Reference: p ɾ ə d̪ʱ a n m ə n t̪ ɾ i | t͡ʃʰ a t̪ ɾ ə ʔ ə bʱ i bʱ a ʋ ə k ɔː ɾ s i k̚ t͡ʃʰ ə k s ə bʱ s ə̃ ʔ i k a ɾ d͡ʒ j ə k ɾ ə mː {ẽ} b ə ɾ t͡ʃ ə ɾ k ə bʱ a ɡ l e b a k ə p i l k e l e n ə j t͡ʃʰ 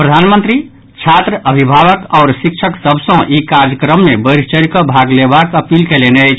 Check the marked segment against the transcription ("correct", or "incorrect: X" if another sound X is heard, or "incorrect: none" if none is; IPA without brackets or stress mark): incorrect: e